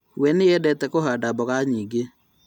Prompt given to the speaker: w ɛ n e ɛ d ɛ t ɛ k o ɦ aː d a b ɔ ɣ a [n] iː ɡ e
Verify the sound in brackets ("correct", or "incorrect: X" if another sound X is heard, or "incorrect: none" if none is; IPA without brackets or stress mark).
incorrect: ɲ